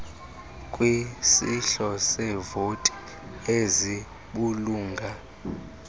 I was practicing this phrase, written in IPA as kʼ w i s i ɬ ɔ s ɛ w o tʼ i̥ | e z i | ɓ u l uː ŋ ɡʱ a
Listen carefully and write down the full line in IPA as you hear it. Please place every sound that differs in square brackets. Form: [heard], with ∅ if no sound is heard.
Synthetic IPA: kʼ w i s i ɬ ɔ s ɛ [v] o tʼ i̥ | e z i | ɓ u l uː ŋ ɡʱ a